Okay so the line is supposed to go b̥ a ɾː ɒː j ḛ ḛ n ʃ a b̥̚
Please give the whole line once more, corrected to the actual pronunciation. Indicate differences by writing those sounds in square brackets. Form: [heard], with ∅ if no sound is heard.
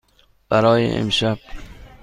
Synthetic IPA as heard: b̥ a [ɾ] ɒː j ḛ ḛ [m] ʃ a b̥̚